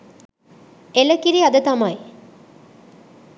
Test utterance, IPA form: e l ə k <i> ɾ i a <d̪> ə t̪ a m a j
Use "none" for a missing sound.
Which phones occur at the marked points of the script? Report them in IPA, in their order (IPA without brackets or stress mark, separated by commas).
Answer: i, d̪